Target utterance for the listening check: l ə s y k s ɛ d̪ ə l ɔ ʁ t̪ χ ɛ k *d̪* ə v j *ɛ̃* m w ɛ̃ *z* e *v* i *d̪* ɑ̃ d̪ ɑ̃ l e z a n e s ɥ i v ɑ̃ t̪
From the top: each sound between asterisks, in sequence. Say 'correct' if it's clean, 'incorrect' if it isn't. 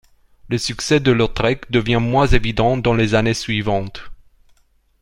correct, correct, correct, correct, correct

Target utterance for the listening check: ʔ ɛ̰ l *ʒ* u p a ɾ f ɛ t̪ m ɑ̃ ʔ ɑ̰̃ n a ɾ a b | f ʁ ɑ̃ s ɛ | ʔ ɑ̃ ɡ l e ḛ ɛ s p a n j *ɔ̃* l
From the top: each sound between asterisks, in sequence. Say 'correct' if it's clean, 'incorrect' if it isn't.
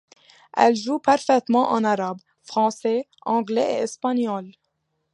correct, incorrect: ɔ

